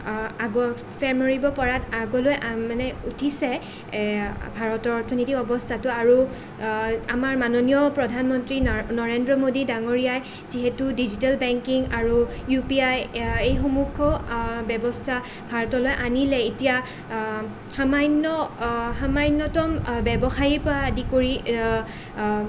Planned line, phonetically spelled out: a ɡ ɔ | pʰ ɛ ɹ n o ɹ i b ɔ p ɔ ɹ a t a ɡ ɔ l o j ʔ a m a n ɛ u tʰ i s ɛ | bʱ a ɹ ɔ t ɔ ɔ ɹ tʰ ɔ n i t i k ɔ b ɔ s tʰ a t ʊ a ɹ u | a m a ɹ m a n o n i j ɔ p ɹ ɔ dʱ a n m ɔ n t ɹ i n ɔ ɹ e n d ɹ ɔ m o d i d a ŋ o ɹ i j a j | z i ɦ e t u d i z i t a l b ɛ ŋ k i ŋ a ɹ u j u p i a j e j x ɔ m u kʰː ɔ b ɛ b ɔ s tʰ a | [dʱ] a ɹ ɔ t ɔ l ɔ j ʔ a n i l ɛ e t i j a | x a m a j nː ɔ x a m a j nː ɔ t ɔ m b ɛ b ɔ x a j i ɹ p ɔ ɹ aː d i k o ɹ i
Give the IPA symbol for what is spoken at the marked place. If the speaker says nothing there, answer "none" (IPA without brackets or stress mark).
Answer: bʱ